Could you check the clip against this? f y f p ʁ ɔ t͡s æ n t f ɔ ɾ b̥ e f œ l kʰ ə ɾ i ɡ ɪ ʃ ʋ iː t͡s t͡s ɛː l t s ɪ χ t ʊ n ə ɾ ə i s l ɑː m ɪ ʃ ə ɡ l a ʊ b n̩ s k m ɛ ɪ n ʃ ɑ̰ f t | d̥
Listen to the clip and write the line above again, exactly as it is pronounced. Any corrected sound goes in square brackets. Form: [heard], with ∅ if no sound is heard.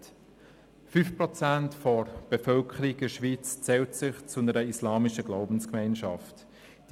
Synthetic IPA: f y f p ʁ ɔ t͡s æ n t f ɔ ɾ b̥ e f œ l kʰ ə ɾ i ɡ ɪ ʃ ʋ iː t͡s t͡s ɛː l t s ɪ χ [t͡s] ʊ n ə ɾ ə i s l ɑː m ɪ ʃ ə ɡ l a ʊ b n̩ s k m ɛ ɪ n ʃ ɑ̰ f t | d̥